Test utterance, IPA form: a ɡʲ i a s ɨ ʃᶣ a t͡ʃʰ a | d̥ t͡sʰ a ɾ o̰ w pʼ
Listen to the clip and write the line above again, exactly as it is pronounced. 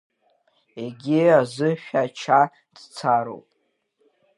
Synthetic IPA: e ɡʲ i a z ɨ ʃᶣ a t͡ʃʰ a | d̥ t͡sʰ a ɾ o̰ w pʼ